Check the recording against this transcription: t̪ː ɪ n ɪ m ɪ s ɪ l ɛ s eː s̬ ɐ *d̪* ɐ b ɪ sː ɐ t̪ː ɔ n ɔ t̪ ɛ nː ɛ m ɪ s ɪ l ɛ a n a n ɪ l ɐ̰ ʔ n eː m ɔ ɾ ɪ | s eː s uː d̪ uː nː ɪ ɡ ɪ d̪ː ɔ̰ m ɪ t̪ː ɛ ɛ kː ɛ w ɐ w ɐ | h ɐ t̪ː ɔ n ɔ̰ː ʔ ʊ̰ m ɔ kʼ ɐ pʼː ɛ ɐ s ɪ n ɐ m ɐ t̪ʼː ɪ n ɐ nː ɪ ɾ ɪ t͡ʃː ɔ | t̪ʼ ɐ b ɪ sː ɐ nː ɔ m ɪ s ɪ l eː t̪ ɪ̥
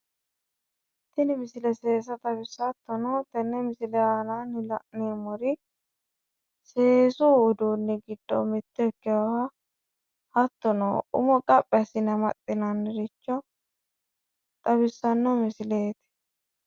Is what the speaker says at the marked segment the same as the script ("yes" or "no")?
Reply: no